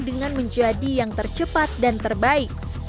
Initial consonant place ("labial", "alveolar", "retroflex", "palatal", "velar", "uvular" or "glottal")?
alveolar